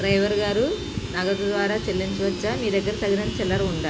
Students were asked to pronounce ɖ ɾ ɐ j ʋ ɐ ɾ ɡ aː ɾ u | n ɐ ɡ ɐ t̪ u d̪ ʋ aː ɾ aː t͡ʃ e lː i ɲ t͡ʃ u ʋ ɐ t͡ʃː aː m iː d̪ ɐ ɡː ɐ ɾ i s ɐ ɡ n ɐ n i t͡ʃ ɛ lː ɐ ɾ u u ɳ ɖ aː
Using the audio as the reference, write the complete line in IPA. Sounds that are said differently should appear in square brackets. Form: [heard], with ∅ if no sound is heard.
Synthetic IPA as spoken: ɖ ɾ ɐ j ʋ ɐ ɾ ɡ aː ɾ u | n ɐ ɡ ɐ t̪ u d̪ ʋ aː ɾ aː t͡ʃ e lː i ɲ t͡ʃ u ʋ ɐ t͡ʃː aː m iː d̪ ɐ ɡː ɐ ɾ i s ɐ ɡ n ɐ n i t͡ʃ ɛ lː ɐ ɾ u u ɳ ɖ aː